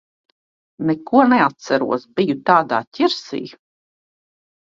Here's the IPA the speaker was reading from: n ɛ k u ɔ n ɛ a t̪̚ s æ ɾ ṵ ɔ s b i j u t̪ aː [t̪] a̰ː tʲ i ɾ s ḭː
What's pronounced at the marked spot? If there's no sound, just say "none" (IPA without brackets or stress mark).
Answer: d̪